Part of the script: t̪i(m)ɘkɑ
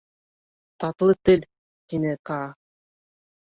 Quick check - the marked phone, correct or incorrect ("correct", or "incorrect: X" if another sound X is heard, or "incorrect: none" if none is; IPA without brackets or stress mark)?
incorrect: n